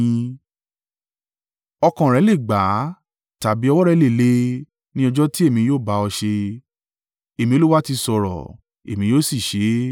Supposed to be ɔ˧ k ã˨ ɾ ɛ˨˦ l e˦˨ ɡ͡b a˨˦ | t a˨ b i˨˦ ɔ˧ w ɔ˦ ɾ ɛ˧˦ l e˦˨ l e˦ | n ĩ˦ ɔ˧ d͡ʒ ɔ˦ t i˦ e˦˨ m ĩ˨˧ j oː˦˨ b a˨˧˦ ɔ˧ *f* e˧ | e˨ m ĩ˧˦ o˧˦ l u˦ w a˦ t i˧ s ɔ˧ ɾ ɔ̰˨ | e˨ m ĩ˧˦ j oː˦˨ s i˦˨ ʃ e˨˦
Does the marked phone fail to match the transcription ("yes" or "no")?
yes